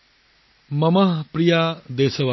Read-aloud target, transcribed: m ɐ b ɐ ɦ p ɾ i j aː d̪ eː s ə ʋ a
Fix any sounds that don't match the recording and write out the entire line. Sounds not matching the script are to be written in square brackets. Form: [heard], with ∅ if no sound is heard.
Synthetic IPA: m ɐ [m] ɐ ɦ p ɾ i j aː d̪ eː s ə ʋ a